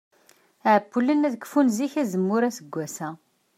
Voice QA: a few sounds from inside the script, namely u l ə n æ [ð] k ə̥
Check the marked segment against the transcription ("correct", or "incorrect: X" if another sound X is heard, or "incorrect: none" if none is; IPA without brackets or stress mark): correct